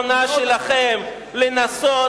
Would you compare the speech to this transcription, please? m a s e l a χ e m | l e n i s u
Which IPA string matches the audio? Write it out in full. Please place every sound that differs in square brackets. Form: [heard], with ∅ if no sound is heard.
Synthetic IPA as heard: [n] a [ʃ] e l a χ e m | l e n [a] s [o]